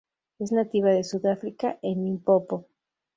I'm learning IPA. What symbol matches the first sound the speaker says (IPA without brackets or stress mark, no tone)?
e̞